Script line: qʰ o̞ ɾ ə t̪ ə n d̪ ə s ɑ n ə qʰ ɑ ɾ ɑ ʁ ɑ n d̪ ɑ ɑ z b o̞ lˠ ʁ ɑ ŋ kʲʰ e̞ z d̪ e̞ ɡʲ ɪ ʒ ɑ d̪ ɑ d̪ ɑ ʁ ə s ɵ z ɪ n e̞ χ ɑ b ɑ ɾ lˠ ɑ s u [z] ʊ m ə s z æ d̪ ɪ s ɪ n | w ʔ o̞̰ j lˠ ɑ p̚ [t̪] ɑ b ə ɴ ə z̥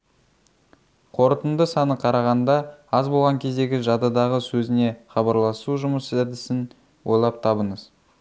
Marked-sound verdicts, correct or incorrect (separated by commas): incorrect, incorrect